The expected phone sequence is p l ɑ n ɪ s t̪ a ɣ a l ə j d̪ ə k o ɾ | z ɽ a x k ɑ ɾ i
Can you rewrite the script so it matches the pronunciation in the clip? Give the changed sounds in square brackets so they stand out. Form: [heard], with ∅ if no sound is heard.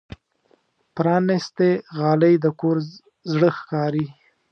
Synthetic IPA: p [ɾ] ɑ n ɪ s t̪ [e] ɣ [ɑ] l ə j d̪ ə k o ɾ | z ɽ [ə] x k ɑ ɾ i

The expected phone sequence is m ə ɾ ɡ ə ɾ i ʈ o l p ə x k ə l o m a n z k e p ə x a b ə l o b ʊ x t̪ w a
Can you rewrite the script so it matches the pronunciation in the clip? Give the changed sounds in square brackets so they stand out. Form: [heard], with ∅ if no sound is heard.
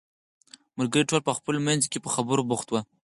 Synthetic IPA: m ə ɾ ɡ ə ɾ i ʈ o l p ə x [p] ə l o m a n z k e p ə x a b ə [ɾ] o b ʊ x t̪ w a

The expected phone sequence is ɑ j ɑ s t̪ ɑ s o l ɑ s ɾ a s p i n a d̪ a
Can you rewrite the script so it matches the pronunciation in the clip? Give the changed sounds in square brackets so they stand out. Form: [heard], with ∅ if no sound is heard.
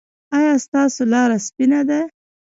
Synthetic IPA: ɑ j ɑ s t̪ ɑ s o l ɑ [∅] ɾ a s p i n a d̪ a

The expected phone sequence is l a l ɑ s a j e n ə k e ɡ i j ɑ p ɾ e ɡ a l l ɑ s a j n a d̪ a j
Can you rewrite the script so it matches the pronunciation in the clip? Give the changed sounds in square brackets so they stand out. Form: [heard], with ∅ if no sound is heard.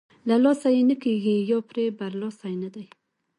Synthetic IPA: l a l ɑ s a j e n ə k e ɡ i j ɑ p ɾ e [b] a [ɾ] l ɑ s a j n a d̪ a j

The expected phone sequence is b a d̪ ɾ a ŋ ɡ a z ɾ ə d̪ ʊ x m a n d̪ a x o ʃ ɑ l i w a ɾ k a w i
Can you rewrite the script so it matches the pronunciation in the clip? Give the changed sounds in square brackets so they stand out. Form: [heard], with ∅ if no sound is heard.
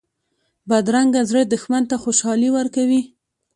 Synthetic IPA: b a d̪ ɾ a ŋ ɡ a z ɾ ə d̪ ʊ x m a n [t̪] a x o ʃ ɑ l i w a ɾ k a w i

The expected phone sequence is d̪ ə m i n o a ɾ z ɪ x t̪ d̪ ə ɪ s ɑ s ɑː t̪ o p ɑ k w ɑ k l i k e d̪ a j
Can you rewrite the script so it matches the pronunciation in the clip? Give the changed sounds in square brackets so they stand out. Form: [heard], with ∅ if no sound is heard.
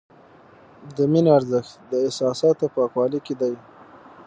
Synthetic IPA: d̪ ə m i n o a ɾ z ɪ x t̪ d̪ ə ɪ s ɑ s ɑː t̪ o p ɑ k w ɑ [∅] l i k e d̪ a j

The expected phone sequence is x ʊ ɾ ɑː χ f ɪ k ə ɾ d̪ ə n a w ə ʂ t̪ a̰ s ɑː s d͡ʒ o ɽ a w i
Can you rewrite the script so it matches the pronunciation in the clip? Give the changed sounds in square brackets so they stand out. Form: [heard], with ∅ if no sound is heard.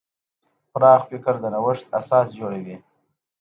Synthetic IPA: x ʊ ɾ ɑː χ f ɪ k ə ɾ d̪ ə n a w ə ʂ t̪ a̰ s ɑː s d͡ʒ o ɽ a w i

